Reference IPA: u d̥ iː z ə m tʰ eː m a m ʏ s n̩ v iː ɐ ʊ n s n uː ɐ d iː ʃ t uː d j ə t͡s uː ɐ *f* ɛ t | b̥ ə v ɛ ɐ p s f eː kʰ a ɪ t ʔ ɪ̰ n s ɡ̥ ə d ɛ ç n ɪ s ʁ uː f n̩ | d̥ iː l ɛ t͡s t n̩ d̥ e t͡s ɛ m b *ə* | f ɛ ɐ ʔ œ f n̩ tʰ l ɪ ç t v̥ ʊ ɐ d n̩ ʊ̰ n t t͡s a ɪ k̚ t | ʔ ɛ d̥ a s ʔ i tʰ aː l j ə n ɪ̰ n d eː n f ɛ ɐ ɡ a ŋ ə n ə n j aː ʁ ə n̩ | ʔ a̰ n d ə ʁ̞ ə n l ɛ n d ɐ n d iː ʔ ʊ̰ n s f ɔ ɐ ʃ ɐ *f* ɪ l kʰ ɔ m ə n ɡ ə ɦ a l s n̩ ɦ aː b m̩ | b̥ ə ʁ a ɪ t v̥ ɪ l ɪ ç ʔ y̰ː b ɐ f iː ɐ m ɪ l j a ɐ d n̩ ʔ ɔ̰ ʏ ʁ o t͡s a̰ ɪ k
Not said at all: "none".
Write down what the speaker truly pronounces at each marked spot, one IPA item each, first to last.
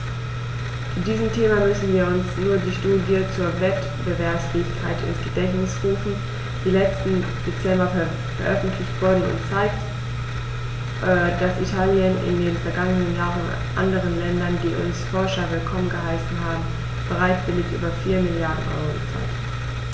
v, ɐ, v

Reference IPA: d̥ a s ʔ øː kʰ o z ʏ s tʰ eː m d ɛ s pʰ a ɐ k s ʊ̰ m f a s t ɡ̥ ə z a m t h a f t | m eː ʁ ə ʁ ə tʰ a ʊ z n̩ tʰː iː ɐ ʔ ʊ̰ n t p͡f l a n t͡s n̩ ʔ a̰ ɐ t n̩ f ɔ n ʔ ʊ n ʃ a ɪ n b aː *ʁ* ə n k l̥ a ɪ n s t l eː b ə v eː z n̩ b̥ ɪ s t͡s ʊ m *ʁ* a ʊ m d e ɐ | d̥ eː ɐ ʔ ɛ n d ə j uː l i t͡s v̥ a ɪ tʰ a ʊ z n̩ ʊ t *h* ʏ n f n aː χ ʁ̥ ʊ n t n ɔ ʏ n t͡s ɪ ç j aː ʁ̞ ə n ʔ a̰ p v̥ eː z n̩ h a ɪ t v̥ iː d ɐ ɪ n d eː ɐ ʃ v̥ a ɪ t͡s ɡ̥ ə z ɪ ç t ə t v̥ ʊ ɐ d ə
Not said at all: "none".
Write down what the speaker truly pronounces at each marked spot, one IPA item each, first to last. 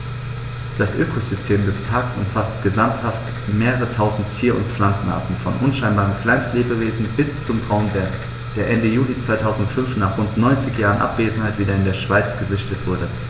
ʁ, ʁ, f

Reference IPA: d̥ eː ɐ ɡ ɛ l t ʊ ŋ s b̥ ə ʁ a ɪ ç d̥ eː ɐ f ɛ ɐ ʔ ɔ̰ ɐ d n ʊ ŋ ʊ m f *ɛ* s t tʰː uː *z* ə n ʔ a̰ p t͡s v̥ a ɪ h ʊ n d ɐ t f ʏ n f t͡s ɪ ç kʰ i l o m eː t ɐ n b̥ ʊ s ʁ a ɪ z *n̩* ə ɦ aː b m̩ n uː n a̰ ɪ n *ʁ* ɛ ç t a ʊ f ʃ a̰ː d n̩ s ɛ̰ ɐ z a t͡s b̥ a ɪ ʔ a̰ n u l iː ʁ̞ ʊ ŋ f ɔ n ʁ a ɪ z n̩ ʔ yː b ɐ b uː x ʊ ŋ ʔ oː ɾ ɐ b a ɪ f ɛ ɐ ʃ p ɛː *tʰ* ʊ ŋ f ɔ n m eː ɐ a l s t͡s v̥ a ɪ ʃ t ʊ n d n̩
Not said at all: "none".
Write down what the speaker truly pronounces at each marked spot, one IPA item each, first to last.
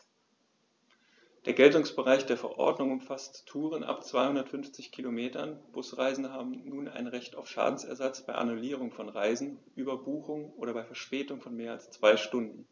a, ʁ, n̩, ʁ, t

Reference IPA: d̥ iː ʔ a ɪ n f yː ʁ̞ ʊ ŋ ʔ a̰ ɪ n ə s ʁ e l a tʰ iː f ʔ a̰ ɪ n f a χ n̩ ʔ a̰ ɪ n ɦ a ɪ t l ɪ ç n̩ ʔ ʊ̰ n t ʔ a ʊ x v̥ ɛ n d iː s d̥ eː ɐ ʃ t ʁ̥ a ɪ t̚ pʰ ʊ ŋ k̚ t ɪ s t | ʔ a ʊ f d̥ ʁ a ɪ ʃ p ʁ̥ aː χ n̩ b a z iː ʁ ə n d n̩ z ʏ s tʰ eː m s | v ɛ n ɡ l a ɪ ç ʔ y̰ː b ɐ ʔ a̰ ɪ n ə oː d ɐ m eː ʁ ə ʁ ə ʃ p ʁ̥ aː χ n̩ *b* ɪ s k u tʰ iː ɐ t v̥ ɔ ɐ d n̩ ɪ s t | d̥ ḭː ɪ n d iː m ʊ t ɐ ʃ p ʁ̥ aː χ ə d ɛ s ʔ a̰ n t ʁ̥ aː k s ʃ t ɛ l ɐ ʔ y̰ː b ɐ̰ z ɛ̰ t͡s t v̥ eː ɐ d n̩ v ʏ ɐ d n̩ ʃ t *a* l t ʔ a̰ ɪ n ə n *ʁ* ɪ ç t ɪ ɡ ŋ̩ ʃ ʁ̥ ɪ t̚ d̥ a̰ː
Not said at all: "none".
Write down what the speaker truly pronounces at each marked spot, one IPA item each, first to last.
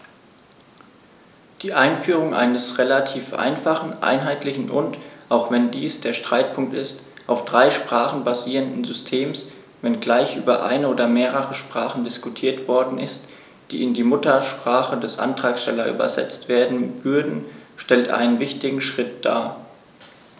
d, ɛ, v

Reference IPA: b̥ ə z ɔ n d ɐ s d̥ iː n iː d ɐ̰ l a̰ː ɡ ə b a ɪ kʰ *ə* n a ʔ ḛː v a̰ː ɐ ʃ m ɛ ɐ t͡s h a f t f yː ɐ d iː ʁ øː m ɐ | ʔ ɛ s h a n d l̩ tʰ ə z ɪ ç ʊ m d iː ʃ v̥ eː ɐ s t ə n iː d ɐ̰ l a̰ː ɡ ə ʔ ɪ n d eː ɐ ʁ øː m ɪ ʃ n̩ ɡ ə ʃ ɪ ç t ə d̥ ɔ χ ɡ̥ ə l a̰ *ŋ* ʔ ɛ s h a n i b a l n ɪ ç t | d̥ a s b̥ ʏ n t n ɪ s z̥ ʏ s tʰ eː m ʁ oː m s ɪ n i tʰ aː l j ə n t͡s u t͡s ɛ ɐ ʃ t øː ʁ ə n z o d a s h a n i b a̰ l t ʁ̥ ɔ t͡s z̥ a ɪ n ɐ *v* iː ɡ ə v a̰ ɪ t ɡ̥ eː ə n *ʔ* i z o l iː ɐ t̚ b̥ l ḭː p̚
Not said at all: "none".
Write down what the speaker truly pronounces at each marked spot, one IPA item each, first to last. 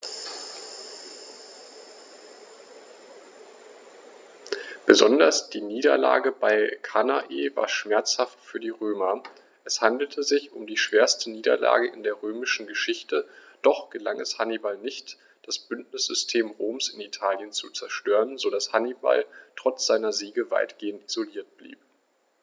a, ŋ, z, t

